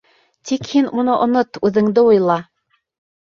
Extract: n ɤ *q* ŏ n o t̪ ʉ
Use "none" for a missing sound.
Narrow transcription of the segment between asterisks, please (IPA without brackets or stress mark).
ʔ